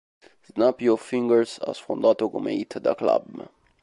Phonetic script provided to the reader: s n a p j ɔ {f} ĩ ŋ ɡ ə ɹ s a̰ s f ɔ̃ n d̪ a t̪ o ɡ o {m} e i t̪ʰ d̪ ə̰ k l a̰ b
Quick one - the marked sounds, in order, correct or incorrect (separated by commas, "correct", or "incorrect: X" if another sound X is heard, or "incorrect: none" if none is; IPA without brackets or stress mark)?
correct, correct